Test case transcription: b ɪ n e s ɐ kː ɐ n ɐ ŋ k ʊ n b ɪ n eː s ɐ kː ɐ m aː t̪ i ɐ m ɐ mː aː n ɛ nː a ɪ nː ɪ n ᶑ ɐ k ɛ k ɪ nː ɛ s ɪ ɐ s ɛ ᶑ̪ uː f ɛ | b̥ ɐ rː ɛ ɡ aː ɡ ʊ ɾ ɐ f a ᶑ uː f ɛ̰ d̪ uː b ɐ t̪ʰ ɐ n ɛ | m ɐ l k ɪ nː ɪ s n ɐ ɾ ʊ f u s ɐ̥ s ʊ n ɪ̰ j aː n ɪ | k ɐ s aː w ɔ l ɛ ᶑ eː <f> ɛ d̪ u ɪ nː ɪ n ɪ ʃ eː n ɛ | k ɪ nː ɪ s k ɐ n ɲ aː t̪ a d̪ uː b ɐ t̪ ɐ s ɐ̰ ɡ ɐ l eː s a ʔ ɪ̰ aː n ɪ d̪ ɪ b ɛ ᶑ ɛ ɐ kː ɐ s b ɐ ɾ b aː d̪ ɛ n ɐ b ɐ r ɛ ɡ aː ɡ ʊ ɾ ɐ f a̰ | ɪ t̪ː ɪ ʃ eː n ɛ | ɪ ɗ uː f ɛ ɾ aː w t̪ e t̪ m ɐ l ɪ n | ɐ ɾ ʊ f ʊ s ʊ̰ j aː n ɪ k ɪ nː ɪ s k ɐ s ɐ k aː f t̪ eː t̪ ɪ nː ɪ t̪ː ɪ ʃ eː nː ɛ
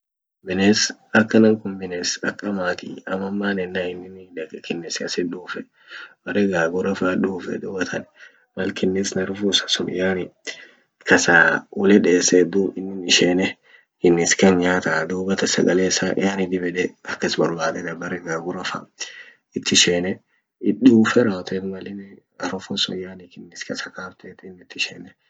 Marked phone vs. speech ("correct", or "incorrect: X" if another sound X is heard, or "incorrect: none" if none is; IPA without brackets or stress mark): incorrect: s